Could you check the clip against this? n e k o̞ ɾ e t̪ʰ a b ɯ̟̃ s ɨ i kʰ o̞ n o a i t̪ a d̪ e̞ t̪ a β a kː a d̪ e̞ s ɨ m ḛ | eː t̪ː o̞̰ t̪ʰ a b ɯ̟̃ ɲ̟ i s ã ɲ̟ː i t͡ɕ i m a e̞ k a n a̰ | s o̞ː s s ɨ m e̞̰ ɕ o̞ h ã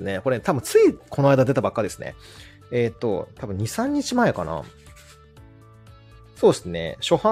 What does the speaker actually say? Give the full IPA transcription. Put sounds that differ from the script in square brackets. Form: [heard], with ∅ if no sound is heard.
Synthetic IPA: n e k o̞ ɾ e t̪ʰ a b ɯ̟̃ [t͡s] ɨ i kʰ o̞ n o a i [d̪] a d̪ e̞ t̪ a [b] a kː a d̪ e̞ s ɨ [n] ḛ | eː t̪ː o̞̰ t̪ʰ a b ɯ̟̃ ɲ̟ i s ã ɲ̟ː i t͡ɕ i m a e̞ k a n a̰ | s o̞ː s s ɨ [n] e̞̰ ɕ o̞ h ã